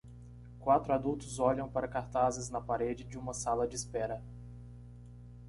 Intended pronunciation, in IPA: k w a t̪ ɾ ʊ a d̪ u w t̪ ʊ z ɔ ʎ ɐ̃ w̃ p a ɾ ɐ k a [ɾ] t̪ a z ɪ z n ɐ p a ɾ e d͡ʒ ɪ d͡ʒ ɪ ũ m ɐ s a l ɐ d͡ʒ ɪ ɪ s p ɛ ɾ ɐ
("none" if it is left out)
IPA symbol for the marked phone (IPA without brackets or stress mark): ɾ